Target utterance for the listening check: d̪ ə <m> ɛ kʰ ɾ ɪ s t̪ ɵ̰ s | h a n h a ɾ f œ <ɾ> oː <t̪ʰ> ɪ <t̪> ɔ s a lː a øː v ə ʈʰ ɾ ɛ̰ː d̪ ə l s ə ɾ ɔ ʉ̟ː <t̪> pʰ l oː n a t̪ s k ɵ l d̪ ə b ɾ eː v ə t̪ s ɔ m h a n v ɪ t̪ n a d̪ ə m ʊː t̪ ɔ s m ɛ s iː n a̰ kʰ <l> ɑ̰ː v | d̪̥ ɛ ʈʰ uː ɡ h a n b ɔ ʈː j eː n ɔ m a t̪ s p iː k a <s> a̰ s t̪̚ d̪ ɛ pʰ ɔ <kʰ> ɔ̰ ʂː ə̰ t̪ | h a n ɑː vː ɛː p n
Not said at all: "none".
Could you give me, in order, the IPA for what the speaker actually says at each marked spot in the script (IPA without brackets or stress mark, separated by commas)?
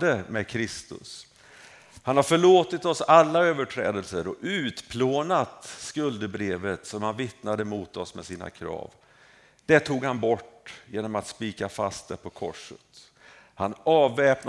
m, ɭ, t̪, t̪, t̪, ɾ, f, kʰ